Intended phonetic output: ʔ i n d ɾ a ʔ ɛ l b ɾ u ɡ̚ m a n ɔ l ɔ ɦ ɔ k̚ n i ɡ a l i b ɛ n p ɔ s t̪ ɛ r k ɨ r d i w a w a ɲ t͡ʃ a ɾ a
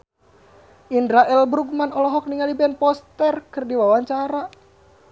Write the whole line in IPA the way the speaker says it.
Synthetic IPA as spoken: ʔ i n d ɾ a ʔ ɛ l b ɾ u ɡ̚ m a n ɔ l ɔ ɦ ɔ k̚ n i ŋ a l i b ɛ n p ɔ s t̪ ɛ r k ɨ r d i w a w a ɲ t͡ʃ a ɾ a